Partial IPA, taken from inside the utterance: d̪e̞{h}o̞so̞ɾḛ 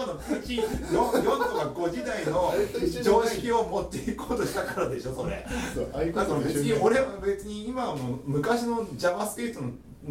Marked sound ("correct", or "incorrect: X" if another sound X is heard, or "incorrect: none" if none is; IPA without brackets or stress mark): incorrect: ɕ